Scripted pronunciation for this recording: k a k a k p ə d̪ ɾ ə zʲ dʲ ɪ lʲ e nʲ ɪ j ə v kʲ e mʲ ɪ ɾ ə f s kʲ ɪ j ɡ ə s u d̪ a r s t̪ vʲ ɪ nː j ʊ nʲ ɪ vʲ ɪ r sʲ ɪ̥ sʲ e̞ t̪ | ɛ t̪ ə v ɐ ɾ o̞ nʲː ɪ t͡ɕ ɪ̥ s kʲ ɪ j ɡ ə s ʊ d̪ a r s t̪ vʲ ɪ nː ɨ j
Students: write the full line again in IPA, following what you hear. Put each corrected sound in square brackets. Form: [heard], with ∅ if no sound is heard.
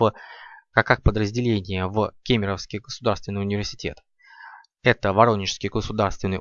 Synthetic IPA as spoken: k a k a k p ə d̪ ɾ ə zʲ dʲ ɪ lʲ e nʲ ɪ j ə v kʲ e mʲ ɪ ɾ ə f s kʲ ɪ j ɡ ə s [ʊ] d̪ a r s t̪ vʲ ɪ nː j ʊ nʲ ɪ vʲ ɪ r sʲ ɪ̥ [tʲ] e̞ t̪ | ɛ t̪ ə v ɐ ɾ o̞ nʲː ɪ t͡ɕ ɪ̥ s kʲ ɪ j ɡ ə s ʊ d̪ a r s t̪ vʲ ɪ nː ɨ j